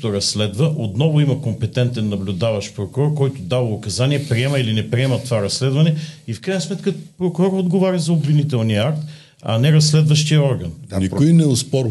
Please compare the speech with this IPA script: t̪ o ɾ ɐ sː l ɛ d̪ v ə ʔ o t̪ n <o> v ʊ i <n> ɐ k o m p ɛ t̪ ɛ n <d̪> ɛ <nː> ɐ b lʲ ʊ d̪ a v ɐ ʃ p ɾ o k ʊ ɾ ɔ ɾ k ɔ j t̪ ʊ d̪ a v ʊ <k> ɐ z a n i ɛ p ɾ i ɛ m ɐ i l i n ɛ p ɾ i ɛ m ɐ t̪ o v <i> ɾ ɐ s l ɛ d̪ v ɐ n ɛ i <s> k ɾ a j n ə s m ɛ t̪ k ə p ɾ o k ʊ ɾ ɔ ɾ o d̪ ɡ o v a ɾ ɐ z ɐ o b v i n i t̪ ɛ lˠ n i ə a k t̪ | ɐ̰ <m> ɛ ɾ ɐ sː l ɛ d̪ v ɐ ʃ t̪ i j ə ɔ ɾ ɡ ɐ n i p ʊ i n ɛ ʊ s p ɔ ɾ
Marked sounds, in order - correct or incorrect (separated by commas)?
incorrect, incorrect, incorrect, correct, correct, incorrect, incorrect, incorrect